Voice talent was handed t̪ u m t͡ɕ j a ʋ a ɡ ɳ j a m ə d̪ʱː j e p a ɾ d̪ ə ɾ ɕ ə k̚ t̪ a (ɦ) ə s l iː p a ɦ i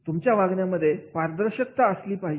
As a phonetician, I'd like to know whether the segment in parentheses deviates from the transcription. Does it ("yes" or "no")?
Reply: yes